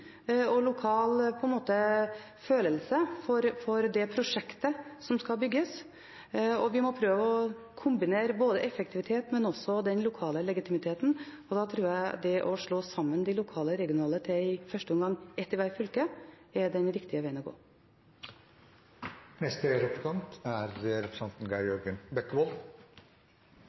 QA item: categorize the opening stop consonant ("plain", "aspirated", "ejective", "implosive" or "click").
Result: aspirated